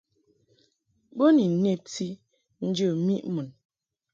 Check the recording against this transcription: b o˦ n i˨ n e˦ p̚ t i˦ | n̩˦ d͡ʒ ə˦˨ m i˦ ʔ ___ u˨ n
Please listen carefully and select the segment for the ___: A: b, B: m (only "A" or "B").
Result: B